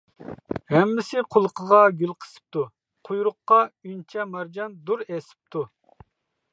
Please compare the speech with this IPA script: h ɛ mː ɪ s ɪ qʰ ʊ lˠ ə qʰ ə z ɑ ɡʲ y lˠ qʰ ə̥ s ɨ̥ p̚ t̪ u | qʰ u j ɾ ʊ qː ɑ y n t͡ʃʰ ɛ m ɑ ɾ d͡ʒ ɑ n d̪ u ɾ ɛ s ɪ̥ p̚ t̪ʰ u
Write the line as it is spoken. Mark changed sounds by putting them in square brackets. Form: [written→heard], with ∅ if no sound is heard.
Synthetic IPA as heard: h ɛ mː ɪ s ɪ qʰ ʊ lˠ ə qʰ ə [z→ʁ] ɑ ɡʲ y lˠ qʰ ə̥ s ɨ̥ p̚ t̪ u | qʰ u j ɾ ʊ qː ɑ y n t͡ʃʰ ɛ m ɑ ɾ d͡ʒ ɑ n d̪ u ɾ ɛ s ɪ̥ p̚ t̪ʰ u